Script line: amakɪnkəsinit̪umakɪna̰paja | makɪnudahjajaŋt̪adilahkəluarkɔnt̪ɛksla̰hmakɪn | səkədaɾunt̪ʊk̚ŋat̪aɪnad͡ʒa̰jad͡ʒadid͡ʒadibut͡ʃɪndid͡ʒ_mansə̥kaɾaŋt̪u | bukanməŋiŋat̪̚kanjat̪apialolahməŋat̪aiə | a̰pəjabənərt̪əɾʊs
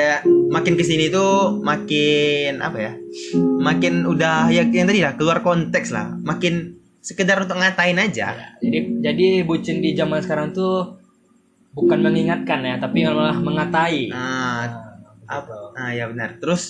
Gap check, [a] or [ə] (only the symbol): a